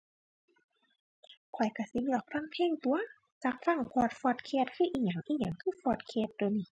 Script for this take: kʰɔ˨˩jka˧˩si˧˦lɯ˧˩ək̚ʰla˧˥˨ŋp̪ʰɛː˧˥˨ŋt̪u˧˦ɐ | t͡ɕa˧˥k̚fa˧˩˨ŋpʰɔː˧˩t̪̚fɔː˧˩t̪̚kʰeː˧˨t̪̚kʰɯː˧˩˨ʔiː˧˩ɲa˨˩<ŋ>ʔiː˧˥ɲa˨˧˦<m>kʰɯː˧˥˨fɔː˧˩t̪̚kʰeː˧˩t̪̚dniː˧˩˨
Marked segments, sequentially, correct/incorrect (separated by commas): correct, incorrect